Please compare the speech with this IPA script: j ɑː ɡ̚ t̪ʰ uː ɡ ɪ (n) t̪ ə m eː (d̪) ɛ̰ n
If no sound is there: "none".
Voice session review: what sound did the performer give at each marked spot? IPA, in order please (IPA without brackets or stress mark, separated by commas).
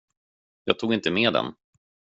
n, d̪